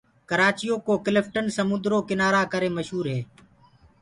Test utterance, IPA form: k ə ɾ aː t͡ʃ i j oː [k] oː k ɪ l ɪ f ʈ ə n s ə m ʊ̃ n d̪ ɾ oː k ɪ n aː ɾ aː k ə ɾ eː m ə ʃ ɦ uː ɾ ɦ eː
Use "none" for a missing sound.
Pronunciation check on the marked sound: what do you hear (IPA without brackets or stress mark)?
k